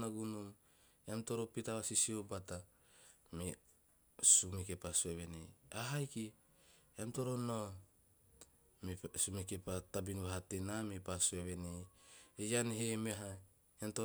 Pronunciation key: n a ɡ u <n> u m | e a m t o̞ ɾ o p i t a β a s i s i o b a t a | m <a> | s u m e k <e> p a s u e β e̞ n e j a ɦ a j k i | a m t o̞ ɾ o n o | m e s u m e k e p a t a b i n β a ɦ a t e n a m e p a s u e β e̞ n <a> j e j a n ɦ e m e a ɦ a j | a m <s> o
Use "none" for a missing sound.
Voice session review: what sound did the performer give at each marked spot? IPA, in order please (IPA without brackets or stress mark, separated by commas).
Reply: n, e, e, e, t